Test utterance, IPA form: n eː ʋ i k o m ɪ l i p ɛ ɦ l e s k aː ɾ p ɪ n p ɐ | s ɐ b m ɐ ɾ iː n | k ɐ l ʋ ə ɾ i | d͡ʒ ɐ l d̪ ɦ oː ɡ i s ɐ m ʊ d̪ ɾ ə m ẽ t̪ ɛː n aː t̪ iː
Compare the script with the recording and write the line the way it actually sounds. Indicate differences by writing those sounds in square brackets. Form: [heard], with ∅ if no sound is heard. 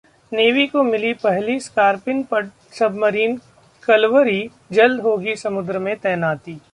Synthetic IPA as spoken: n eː ʋ i k o m ɪ l i p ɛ ɦ l [i] s k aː ɾ p ɪ n p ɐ | s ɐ b m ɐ ɾ iː n | k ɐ l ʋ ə ɾ i | d͡ʒ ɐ l d̪ ɦ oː ɡ i s ɐ m ʊ d̪ ɾ ə m ẽ t̪ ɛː n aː t̪ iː